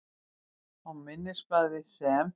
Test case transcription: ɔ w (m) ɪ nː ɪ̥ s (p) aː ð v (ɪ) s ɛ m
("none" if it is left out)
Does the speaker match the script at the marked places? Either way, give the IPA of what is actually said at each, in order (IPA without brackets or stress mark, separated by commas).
m, p, ɪ